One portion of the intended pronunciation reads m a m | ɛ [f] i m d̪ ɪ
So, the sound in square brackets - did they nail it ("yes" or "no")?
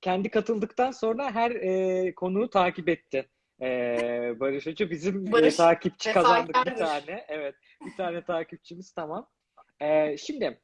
no